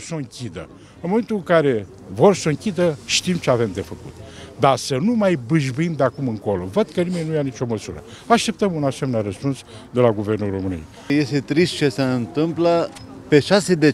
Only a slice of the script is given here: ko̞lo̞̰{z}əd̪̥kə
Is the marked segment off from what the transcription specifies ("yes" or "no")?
yes